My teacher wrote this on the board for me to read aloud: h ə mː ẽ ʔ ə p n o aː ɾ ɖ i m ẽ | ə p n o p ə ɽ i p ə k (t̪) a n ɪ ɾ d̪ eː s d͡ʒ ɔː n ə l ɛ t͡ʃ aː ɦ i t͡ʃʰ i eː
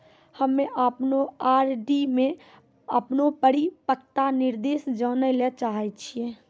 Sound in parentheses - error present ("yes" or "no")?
no